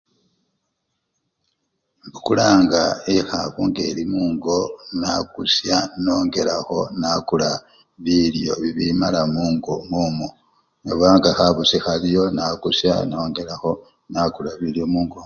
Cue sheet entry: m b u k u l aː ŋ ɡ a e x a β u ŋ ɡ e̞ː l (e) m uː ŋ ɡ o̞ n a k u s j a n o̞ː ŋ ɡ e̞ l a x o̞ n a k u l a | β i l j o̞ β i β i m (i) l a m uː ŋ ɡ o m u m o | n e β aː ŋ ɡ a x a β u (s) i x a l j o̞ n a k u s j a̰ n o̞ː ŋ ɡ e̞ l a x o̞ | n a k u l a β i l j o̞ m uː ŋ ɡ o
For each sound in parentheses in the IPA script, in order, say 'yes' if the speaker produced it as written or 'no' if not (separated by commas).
no, no, yes